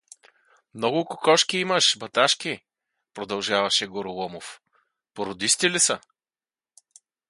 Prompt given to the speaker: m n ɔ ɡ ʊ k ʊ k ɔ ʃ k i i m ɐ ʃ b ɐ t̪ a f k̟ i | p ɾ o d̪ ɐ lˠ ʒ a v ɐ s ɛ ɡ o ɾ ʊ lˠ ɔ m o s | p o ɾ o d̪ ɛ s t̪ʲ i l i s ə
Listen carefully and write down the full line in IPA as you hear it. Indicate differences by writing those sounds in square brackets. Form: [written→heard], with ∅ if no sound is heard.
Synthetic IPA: m n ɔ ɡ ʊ k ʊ k ɔ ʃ k i i m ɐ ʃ b ɐ t̪ a [f→ʃ] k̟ i | p ɾ o d̪ ɐ lˠ ʒ a v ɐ [s→ʃ] ɛ ɡ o ɾ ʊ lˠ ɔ m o [s→f] | p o ɾ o d̪ [ɛ→i] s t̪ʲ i l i s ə